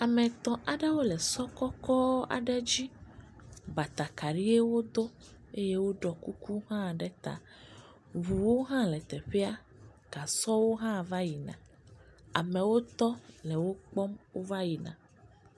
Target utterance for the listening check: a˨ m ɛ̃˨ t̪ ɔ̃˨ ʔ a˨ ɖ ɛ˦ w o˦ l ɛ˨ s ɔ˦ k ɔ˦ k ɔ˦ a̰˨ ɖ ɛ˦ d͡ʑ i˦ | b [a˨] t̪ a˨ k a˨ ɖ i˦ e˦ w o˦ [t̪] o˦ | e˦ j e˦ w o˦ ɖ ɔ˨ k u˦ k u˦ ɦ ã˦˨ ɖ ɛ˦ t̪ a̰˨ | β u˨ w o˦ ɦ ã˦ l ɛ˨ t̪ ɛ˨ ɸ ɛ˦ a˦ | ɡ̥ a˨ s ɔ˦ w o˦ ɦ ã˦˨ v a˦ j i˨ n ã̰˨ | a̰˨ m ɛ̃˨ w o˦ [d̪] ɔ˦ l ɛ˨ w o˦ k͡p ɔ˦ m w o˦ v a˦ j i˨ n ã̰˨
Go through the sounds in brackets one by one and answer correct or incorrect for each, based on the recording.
correct, incorrect, incorrect

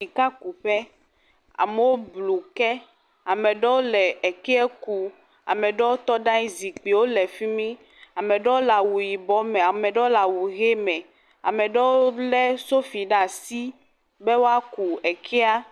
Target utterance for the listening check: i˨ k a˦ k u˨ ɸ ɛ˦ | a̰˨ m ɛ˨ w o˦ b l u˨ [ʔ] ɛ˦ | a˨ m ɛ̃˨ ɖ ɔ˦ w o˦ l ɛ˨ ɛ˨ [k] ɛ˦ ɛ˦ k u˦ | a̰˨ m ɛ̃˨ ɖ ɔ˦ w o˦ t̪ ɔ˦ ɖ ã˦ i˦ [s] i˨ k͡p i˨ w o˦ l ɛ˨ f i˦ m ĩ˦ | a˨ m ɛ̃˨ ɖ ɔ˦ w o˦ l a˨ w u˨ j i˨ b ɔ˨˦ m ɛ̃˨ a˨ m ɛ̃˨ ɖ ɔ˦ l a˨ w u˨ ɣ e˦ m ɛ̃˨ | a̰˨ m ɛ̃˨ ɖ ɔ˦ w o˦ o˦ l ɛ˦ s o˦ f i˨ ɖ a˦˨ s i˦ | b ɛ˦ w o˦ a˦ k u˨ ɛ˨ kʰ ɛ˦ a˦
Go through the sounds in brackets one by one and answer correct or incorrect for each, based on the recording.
incorrect, correct, incorrect

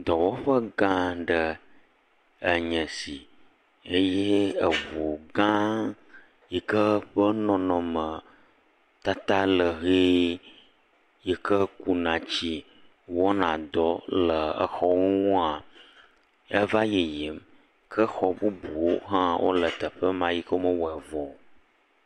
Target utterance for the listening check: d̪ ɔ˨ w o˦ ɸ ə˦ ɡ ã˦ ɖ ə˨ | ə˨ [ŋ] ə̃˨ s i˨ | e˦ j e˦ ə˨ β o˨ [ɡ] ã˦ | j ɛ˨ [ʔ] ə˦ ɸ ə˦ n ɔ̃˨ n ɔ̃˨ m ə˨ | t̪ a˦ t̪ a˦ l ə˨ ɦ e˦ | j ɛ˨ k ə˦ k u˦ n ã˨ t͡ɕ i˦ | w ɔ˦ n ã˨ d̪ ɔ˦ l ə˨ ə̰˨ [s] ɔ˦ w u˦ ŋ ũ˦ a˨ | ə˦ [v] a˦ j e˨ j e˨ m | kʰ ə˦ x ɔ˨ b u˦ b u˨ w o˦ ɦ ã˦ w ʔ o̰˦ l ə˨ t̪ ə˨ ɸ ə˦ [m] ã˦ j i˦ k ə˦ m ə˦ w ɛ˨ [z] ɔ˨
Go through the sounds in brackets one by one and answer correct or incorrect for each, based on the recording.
incorrect, correct, incorrect, incorrect, correct, correct, incorrect

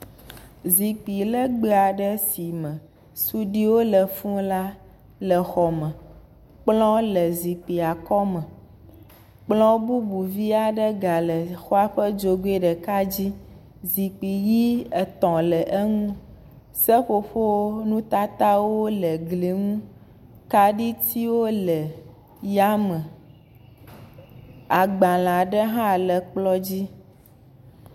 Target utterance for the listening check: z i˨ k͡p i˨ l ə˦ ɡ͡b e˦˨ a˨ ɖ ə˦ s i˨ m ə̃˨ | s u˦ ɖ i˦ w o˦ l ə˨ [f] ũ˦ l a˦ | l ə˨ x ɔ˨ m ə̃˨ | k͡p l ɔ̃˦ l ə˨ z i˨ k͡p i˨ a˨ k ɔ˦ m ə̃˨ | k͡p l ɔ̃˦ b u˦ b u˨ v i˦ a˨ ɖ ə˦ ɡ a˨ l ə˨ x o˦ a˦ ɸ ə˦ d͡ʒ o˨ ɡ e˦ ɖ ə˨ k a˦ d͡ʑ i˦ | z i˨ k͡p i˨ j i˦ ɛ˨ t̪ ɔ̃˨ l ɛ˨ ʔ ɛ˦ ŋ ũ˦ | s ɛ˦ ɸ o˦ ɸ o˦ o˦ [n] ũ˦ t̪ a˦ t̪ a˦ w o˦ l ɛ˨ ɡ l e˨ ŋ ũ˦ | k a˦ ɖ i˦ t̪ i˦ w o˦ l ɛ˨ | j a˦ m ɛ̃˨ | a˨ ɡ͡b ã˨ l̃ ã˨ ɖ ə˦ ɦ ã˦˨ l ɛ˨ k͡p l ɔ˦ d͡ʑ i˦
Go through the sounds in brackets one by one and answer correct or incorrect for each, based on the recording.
correct, correct

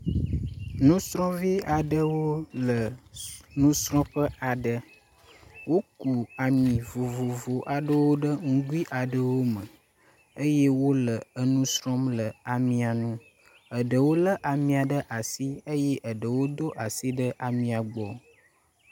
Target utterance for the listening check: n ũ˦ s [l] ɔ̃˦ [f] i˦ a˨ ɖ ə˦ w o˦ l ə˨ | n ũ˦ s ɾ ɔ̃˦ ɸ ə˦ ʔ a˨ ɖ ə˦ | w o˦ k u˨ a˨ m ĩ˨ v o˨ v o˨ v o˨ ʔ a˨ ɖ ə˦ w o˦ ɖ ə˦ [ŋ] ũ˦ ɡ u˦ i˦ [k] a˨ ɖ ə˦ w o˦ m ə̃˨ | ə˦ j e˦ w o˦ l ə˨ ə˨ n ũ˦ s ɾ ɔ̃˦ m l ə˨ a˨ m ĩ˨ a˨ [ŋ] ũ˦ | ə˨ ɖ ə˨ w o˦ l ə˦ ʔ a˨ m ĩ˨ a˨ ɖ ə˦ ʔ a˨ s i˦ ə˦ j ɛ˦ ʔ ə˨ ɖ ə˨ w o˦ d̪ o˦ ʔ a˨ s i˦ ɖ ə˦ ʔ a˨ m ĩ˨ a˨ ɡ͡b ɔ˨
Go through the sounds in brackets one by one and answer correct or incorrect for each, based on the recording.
incorrect, incorrect, correct, incorrect, incorrect

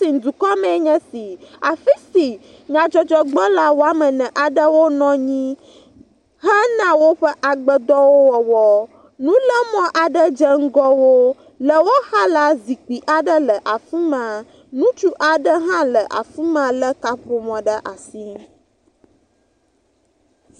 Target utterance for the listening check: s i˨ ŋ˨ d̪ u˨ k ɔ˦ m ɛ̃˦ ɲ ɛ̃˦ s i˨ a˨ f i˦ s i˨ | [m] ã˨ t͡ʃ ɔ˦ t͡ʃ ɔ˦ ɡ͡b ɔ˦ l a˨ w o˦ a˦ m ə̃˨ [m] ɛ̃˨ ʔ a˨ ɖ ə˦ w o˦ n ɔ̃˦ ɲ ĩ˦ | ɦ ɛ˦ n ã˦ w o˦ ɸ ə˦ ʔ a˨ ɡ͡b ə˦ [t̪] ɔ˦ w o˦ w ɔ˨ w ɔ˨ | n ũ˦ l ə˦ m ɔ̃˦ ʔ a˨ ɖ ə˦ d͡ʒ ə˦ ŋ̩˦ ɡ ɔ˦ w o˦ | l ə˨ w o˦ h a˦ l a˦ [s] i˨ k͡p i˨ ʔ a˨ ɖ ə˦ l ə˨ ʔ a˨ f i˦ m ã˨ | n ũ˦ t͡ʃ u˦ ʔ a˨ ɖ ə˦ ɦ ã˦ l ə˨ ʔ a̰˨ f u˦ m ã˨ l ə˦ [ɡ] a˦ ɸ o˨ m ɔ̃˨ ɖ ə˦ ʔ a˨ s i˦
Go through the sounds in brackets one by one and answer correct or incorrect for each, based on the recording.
incorrect, incorrect, incorrect, incorrect, incorrect

